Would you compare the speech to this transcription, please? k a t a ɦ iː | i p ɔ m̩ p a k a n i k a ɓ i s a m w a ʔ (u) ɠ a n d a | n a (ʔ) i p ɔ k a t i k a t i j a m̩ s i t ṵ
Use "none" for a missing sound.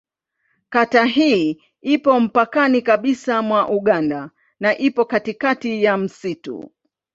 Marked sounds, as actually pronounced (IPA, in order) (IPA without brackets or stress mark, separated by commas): u, ʔ